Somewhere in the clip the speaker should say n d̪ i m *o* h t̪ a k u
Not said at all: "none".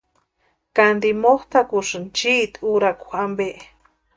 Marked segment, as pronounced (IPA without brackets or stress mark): o